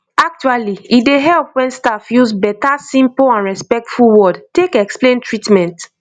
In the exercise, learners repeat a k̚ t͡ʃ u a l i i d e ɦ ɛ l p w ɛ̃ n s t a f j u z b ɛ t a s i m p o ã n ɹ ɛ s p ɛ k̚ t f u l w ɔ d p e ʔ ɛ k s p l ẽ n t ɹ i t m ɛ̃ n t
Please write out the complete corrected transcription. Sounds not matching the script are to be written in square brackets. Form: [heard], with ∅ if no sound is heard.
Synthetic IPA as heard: a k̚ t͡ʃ u a l i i d e ɦ ɛ l p w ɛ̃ n s t a f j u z b ɛ t a s [ĩ] m p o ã n ɹ ɛ s p ɛ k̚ t f u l w ɔ d [t] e [k] ɛ k s p l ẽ n t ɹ i t m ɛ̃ n t